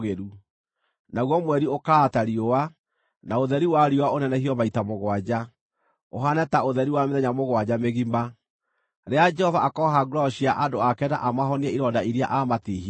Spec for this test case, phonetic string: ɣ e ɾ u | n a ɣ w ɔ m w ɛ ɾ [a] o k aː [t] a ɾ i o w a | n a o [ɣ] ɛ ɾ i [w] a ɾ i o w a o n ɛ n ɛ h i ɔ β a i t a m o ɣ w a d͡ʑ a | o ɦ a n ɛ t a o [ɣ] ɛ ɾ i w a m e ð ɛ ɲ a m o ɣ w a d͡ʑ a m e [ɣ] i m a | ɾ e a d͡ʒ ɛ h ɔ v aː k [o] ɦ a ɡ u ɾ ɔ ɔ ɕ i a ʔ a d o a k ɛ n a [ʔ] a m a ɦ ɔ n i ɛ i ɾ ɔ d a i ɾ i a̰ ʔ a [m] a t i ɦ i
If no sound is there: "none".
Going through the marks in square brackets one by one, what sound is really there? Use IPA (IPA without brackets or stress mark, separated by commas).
i, t, ð, w, ð, ɣ, ɔ, ʔ, m